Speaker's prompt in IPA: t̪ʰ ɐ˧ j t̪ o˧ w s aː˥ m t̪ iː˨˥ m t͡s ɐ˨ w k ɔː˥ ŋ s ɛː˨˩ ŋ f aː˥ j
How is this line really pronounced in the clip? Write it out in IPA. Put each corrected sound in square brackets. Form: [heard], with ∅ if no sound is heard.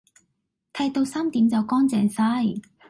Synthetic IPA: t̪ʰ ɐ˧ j t̪ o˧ w s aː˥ m t̪ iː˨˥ m t͡s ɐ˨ w k ɔː˥ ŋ [t͡s] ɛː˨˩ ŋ [s] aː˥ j